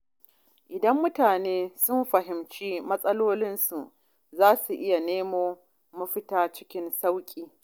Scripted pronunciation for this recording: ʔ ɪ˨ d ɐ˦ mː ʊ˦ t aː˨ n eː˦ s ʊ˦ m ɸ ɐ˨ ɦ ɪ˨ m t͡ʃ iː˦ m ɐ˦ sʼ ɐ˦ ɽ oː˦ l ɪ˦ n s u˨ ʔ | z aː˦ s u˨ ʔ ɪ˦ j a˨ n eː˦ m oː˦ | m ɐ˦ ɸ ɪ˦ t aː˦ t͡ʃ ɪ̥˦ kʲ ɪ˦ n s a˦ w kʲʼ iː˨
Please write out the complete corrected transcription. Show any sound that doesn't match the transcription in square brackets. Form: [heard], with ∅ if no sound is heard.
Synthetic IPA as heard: ʔ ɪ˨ d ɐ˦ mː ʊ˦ t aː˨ n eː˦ s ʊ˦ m ɸ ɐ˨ ɦ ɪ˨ m t͡ʃ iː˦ m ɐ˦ sʼ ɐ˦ [l] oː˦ l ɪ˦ n s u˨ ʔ | z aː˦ s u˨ ʔ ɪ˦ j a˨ n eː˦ m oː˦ | m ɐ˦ ɸ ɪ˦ t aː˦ t͡ʃ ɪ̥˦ kʲ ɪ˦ n s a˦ w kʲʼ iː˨